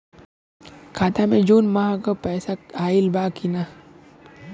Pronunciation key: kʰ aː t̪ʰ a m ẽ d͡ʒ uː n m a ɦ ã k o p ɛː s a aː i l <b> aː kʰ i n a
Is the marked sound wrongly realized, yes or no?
no